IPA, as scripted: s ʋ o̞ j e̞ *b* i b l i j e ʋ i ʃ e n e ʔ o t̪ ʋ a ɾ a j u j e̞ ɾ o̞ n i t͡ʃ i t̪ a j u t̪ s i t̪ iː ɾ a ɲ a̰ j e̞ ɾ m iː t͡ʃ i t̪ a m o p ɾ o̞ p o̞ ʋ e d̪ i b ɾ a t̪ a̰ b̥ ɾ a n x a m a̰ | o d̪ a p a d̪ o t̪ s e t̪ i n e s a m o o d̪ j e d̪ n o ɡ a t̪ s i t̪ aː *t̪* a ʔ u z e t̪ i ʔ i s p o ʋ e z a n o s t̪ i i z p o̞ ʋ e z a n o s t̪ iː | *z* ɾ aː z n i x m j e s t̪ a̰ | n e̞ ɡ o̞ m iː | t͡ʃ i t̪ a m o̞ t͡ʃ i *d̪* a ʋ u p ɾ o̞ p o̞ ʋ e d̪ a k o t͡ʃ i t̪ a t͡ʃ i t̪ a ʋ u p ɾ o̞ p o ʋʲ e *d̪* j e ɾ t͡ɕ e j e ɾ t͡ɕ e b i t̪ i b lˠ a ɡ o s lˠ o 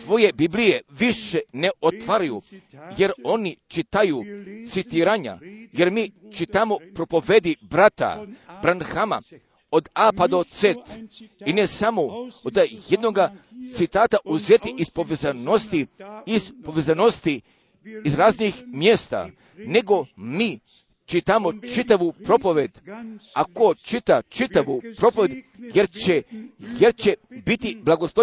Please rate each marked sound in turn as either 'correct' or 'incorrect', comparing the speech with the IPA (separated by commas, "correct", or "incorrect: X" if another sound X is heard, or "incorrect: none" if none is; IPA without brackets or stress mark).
correct, correct, correct, incorrect: t̪, correct